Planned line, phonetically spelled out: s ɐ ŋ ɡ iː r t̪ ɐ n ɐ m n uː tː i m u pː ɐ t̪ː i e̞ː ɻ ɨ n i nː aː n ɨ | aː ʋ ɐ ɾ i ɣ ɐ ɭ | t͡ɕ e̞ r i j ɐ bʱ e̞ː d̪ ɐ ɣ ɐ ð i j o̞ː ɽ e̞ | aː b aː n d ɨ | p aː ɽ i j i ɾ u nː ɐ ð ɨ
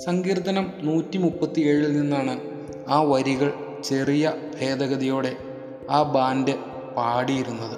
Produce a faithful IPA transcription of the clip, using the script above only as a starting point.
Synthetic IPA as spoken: s ɐ ŋ ɡ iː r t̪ ɐ n ɐ m n uː tː i m u pː ɐ t̪ː i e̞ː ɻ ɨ n i nː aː ɳ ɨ | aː ʋ ɐ ɾ i ɣ ɐ ɭ | t͡ɕ e̞ r i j ɐ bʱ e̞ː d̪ ɐ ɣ ɐ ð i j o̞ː ɽ e̞ | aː b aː n d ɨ | p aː ɽ i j i ɾ u nː ɐ ð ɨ